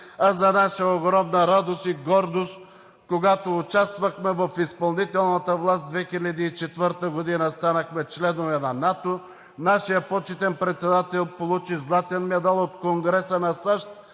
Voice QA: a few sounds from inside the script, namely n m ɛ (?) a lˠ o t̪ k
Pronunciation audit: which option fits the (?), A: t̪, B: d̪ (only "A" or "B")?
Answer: B